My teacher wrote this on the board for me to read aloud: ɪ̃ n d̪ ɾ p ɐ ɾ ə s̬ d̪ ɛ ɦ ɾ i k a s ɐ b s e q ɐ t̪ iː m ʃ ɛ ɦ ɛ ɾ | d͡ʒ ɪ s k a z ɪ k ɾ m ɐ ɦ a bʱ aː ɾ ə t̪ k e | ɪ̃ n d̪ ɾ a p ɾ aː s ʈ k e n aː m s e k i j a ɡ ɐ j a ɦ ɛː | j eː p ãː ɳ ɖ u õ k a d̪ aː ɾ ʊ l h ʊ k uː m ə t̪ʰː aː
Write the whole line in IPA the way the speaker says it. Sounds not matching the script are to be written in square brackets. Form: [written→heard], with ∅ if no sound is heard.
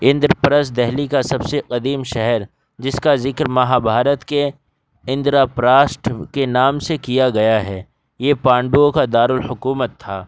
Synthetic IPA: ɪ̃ n d̪ ɾ p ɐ ɾ ə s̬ d̪ ɛ ɦ [ɾ→l] i k a s ɐ b s e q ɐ [t̪→d̪] iː m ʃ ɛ ɦ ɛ ɾ | d͡ʒ ɪ s k a z ɪ k ɾ m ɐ ɦ a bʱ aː ɾ ə t̪ k e | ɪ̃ n d̪ ɾ a p ɾ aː s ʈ k e n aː m s e k i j a ɡ ɐ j a ɦ ɛː | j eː p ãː ɳ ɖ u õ k a d̪ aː ɾ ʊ l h ʊ k uː m ə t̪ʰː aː